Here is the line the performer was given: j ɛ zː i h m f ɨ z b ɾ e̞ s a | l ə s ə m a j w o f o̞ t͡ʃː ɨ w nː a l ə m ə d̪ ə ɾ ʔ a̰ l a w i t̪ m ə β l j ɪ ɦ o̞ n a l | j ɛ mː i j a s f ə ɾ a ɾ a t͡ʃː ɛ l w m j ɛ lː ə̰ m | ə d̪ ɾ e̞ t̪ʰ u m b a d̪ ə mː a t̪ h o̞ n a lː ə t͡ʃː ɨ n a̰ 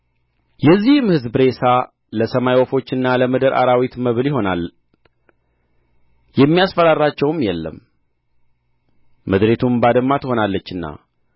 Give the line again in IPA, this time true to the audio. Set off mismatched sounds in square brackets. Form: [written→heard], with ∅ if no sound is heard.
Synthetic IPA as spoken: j ɛ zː i h m [f→h] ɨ z b ɾ e̞ s a | l ə s ə m a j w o f o̞ t͡ʃː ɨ [w→∅] nː a l ə m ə d̪ ə ɾ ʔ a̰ [l→ɾ] a w i t̪ m ə β l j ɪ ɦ o̞ n a l | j ɛ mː i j a s f ə ɾ a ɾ a t͡ʃː ɛ [l→∅] w m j ɛ lː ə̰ m | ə d̪ ɾ e̞ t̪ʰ u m b a d̪ ə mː a t̪ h o̞ n a lː ə t͡ʃː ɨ [n→nː] a̰